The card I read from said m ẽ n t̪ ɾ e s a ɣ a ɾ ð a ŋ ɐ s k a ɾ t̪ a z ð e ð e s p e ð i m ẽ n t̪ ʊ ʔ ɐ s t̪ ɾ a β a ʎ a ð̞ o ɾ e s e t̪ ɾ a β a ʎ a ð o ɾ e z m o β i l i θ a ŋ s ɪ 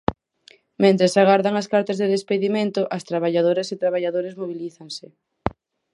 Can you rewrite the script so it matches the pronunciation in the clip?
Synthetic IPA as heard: m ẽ n t̪ ɾ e s a ɣ a ɾ ð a ŋ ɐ s k a ɾ t̪ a z ð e ð e s p e ð i m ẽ n t̪ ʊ ʔ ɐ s t̪ ɾ a β a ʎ a ð̞ o ɾ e s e t̪ ɾ a β a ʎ a ð o ɾ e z m o β i l i θ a ŋ s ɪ